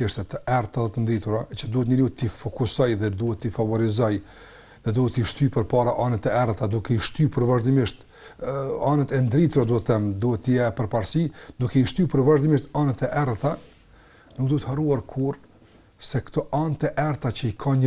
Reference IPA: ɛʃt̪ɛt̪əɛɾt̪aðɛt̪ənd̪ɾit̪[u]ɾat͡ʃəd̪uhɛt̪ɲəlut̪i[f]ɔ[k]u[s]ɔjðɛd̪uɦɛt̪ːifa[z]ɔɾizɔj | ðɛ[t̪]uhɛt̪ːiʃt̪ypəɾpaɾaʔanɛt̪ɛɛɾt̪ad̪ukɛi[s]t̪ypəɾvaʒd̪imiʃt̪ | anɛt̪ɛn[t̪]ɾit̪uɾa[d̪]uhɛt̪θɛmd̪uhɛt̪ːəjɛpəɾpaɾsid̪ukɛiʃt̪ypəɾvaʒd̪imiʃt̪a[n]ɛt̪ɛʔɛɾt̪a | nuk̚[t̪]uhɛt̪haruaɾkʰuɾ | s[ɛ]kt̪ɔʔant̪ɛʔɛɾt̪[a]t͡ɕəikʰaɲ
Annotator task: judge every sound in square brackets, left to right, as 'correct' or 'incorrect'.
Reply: correct, correct, correct, correct, incorrect: v, incorrect: d̪, incorrect: ʃ, incorrect: d̪, correct, correct, incorrect: d̪, correct, correct

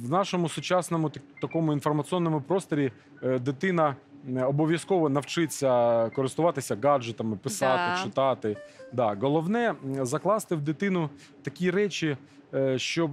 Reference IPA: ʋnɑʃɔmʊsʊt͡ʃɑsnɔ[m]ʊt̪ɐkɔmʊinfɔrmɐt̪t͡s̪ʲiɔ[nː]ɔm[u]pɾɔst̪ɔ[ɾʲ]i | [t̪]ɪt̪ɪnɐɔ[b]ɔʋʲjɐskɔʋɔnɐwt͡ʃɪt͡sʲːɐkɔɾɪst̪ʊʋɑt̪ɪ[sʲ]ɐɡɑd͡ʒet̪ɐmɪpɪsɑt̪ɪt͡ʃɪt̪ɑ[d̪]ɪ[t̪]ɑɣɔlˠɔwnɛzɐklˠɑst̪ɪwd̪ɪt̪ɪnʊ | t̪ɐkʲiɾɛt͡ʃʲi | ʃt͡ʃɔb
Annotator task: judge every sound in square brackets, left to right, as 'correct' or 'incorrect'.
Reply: correct, correct, incorrect: ʊ, correct, incorrect: d̪, correct, correct, incorrect: t̪, incorrect: d̪

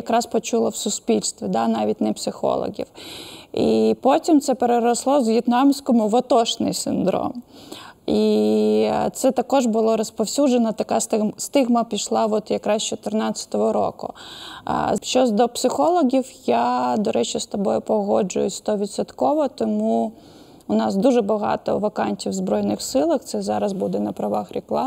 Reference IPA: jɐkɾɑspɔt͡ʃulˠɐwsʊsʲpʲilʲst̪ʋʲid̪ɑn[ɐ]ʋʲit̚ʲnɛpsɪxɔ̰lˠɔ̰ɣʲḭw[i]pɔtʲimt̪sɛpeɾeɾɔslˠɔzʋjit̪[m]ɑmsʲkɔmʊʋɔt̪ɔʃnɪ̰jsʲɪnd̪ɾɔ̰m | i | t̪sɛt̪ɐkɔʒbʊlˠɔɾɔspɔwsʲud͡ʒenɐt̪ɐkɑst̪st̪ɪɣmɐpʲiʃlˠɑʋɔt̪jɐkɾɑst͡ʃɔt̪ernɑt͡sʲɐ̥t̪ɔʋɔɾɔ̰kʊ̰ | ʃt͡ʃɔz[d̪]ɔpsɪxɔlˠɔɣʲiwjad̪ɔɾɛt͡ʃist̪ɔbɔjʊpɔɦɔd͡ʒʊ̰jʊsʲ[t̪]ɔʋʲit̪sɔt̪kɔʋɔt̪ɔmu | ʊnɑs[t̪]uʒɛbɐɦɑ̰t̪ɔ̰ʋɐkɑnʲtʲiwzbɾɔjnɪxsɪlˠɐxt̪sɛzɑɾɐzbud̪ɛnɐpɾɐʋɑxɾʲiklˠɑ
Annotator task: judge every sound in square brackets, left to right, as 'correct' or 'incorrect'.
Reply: incorrect: ɑ, correct, incorrect: n, correct, correct, incorrect: d̪

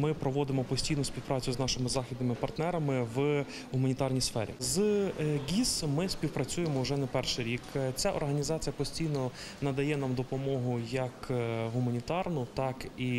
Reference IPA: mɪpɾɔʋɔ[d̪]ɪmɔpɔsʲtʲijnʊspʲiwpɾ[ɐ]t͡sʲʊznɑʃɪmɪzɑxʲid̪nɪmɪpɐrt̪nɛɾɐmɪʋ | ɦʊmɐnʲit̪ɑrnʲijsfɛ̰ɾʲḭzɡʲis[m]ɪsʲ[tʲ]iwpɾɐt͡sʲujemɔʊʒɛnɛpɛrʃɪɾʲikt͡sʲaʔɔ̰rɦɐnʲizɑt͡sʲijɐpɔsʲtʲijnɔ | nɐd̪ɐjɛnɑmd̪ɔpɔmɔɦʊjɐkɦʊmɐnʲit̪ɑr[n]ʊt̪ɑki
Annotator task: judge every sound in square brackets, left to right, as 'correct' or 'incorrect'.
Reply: correct, incorrect: ɑ, correct, incorrect: pʲ, correct

